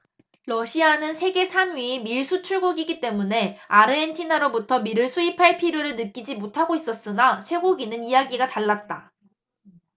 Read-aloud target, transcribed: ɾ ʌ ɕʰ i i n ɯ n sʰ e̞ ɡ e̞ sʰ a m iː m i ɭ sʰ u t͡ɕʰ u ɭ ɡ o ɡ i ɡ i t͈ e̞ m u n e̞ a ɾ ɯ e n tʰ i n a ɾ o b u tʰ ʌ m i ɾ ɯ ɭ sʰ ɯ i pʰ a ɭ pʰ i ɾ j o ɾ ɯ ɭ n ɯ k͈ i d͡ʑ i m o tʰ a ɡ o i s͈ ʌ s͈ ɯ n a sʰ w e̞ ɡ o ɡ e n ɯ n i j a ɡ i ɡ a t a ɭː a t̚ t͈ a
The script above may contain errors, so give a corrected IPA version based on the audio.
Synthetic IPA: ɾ ʌ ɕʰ i a n ɯ n sʰ e̞ ɡ e̞ sʰ a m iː m i ɭ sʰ u t͡ɕʰ u ɭ ɡ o ɡ i ɡ i t͈ e̞ m u n e̞ a ɾ ɯ e n tʰ i n a ɾ o b u tʰ ʌ m i ɾ ɯ ɭ sʰ u i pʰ a ɭ pʰ i ɾ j o ɾ ɯ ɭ n ɯ k͈ i d͡ʑ i m o tʰ a ɡ o i s͈ ʌ s͈ ɯ n a sʰ w e̞ ɡ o ɡ i n ɯ n i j a ɡ i ɡ a t a ɭː a t̚ t͈ a